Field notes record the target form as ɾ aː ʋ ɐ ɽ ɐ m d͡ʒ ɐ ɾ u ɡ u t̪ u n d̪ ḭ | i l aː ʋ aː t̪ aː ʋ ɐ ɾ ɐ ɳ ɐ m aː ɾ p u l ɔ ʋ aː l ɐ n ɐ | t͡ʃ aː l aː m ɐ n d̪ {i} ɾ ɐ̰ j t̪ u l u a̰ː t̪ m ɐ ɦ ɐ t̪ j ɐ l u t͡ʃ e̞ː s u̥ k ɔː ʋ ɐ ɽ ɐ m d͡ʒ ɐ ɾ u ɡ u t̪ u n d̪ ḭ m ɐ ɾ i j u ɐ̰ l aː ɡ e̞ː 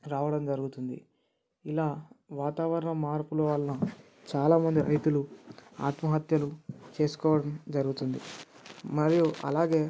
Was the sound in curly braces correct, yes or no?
yes